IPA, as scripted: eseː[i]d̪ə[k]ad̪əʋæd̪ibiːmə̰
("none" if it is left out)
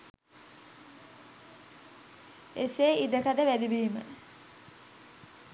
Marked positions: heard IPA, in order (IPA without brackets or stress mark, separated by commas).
i, k